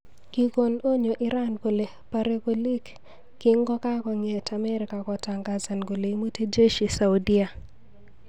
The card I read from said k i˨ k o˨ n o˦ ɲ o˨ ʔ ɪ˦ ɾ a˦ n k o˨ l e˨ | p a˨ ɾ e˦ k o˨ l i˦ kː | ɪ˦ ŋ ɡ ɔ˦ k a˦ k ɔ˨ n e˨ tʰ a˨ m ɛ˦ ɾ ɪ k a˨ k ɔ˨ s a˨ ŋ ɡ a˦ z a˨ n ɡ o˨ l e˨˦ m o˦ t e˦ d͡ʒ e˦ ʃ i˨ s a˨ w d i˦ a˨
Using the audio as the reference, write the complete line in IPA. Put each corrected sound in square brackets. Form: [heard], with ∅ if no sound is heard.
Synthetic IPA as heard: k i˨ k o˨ n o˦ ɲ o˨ ʔ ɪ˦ ɾ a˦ n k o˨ l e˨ | p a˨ ɾ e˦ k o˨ l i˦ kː | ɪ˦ ŋ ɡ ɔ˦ k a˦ k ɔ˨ [ŋ] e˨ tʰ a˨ m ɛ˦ ɾ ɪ k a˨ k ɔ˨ [t] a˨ ŋ ɡ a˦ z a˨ n ɡ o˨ l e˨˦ m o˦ t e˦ d͡ʒ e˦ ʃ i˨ s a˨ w d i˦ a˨

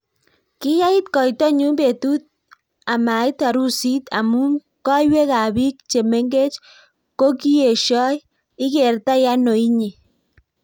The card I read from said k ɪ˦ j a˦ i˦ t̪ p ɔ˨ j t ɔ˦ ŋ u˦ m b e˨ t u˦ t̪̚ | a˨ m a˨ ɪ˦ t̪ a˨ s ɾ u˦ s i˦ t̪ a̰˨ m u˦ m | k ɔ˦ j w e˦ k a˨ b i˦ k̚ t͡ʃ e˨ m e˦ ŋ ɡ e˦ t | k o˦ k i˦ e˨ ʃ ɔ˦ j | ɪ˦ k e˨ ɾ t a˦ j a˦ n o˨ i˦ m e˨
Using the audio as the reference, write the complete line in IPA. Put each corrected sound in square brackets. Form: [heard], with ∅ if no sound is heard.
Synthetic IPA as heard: k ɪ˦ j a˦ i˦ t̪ [k] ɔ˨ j t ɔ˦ [ɲ] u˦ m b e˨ t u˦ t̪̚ | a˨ m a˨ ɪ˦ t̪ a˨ [∅] ɾ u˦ s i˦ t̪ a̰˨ m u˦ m | k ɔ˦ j w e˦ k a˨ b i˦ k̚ t͡ʃ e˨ m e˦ ŋ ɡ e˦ [t͡ʃ] | k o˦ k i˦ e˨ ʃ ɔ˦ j | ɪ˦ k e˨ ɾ t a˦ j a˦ n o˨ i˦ [ɲ] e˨

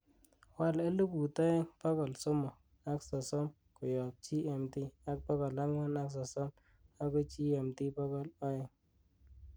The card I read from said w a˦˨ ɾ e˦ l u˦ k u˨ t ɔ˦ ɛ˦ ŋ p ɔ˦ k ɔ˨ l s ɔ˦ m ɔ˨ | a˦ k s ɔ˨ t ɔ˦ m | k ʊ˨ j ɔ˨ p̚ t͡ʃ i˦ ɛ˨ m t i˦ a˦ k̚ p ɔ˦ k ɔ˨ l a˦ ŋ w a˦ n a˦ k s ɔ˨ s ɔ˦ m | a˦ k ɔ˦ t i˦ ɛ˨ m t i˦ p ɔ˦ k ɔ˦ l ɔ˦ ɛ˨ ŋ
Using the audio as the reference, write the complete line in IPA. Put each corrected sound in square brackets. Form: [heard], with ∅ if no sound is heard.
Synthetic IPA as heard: w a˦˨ [l] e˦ l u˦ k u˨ t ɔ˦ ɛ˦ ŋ p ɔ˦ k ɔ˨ l s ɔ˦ m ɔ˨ | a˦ k s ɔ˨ [s] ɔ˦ m | k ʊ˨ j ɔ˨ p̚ t͡ʃ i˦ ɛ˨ m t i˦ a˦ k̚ p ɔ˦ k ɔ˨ l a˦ ŋ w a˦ n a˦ k s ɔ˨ s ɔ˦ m | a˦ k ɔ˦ [t͡ʃ] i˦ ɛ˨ m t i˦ p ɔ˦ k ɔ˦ l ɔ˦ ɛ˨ ŋ

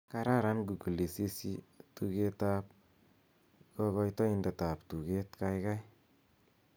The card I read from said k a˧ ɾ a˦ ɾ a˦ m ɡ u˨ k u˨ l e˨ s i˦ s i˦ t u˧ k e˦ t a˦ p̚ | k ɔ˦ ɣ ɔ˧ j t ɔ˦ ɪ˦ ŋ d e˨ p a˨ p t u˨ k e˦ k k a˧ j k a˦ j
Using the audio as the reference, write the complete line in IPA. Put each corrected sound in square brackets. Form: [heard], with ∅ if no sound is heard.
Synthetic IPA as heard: k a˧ ɾ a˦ ɾ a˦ [n] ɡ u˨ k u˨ l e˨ s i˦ s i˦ t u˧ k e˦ t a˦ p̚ | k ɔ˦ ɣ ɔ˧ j t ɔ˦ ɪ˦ [n] d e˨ [t] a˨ p t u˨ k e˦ [t] k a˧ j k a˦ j

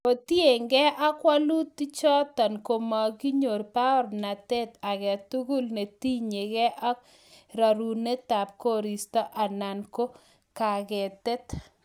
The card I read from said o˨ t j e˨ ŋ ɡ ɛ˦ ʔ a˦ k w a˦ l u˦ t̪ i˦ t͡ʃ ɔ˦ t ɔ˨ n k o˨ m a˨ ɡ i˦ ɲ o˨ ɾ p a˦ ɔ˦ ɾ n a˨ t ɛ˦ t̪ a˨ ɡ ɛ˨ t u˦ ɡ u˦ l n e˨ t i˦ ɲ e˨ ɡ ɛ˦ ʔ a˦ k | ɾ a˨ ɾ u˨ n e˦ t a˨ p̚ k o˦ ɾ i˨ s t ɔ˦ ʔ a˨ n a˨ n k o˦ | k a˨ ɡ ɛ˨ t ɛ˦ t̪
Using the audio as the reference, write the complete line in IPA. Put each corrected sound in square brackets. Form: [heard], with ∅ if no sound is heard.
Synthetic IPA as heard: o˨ t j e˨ ŋ ɡ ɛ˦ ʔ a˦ k w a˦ l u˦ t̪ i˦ t͡ʃ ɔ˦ t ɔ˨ n k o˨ m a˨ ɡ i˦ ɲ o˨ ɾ p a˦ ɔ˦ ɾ n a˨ t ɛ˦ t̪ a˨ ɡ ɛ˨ t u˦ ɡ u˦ l n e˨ t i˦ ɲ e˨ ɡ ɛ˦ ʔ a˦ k | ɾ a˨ ɾ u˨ n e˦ t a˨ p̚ k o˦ ɾ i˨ s t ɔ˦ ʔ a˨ n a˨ n k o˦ | k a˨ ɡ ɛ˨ t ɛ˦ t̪

